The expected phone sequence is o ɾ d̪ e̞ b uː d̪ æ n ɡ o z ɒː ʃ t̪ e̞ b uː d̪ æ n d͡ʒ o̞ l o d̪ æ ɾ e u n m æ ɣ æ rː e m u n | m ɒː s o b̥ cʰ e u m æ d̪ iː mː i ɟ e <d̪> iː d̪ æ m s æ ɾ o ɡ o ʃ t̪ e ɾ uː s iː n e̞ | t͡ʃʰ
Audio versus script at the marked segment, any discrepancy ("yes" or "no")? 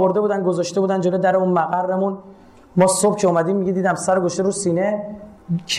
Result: no